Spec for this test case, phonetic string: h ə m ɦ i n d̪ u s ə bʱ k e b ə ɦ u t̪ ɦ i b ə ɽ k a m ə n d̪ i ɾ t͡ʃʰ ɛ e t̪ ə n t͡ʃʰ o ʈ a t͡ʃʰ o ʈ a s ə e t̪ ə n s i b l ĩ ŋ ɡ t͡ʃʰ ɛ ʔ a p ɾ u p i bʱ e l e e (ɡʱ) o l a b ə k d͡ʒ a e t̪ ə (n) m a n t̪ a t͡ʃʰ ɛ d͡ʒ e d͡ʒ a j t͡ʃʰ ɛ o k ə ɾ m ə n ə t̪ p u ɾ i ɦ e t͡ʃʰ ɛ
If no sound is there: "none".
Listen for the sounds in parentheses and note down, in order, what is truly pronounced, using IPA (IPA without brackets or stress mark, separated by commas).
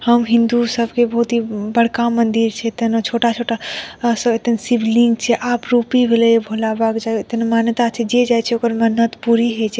bʱ, n